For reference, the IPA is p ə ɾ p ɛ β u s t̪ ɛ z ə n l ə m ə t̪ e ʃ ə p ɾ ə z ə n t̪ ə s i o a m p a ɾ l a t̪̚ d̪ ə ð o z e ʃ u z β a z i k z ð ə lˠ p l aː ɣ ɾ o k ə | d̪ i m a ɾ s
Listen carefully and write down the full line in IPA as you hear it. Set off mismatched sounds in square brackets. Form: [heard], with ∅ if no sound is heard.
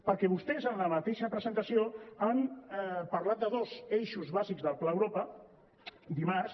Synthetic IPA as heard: p ə ɾ [k] ɛ β u s t̪ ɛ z ə n l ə m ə t̪ e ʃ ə p ɾ ə z ə n t̪ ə s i o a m p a ɾ l a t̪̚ d̪ ə ð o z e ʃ u z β a z i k z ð ə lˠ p l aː [w] ɾ o [p] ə | d̪ i m a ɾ s